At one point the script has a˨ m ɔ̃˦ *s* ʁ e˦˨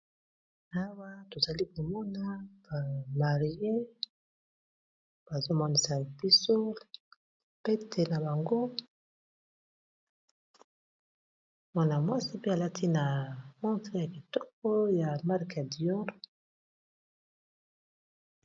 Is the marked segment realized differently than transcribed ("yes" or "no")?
yes